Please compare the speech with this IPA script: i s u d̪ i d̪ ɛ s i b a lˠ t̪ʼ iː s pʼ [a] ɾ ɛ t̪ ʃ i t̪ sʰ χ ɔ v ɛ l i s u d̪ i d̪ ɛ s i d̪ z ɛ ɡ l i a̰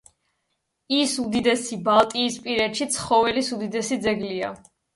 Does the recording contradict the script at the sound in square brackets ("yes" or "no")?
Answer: yes